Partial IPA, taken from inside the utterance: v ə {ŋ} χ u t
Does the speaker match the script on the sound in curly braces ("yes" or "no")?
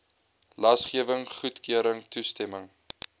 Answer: yes